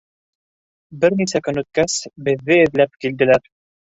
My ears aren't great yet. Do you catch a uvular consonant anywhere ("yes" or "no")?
no